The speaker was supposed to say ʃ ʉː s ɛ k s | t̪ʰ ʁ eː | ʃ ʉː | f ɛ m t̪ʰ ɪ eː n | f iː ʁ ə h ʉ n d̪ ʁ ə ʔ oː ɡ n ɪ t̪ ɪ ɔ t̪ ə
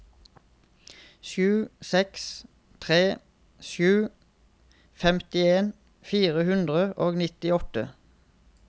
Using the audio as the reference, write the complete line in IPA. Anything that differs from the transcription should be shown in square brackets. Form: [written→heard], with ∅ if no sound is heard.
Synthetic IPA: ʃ ʉː s ɛ k s | t̪ʰ ʁ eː | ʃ ʉː | f ɛ m [t̪ʰ→t̪] ɪ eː n | f iː ʁ ə h ʉ n d̪ ʁ ə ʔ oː ɡ n ɪ t̪ ɪ ɔ t̪ ə